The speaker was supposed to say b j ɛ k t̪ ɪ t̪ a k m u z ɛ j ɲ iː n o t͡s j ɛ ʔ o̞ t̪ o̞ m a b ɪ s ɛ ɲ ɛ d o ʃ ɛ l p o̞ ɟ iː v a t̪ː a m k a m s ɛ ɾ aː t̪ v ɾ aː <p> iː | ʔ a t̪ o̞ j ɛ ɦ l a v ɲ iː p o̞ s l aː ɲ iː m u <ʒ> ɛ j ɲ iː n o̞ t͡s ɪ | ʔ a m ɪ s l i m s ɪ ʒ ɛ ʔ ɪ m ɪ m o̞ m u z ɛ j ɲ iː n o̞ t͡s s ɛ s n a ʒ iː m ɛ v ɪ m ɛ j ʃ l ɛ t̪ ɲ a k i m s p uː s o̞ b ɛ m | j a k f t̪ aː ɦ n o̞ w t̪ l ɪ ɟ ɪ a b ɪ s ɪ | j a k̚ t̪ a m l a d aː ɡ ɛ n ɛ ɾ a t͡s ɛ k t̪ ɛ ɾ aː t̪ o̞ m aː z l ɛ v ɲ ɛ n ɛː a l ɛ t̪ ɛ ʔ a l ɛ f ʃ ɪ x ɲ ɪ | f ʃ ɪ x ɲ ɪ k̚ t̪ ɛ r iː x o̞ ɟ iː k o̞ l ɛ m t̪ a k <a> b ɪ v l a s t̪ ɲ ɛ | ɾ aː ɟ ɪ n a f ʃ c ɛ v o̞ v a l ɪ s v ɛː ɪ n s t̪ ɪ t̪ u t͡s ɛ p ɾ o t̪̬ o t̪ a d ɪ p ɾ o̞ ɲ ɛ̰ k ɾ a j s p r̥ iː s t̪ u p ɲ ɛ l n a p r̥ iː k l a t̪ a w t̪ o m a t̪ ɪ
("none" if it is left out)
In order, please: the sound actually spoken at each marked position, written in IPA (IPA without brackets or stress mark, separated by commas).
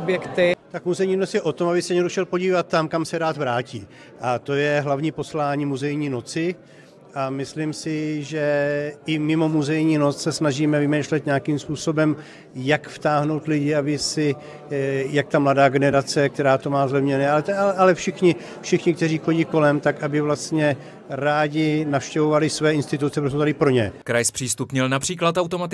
c, z, a